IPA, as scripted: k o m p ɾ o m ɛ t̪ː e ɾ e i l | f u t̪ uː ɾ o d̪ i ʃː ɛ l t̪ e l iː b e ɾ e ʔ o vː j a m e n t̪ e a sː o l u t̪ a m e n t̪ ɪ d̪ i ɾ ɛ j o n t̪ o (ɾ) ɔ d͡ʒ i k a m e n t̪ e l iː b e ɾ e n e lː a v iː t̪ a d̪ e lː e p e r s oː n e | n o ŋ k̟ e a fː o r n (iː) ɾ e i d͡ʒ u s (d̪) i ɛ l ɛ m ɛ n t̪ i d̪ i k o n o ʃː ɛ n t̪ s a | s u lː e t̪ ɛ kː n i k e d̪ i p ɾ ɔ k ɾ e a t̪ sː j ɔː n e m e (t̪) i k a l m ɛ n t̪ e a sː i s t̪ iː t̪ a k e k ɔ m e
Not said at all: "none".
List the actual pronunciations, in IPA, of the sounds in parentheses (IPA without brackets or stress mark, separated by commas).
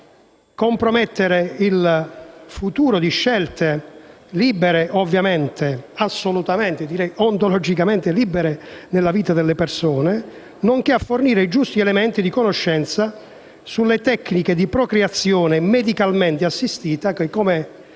l, iː, t̪, d̪